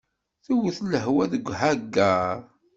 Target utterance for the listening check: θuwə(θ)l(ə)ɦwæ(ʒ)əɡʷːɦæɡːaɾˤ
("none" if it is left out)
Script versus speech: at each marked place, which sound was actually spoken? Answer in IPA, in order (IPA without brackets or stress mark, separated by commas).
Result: θ, ə, ð